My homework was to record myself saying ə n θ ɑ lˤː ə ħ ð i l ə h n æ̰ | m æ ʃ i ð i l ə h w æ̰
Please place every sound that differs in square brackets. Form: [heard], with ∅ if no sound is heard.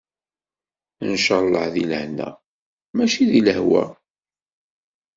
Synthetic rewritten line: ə n [ʃ] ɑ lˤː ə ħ ð i l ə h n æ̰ | m æ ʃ i ð i l ə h w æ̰